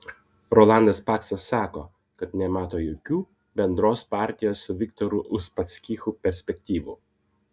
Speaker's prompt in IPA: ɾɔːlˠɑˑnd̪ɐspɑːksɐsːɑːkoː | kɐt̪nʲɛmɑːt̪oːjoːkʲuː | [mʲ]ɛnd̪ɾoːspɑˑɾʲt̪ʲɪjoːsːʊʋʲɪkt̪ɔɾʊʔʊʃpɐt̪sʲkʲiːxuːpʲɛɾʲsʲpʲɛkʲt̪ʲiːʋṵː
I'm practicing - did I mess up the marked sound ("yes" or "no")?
yes